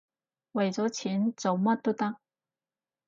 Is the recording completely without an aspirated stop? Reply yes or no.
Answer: no